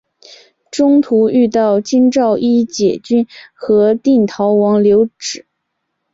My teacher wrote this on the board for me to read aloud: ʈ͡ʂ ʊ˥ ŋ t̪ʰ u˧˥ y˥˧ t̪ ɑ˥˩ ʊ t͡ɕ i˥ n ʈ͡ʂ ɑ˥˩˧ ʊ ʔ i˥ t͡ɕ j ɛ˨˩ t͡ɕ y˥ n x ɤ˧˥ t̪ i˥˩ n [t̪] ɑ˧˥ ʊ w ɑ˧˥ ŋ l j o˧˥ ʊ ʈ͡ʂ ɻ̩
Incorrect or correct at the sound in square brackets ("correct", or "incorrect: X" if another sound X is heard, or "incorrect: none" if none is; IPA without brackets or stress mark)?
incorrect: t̪ʰ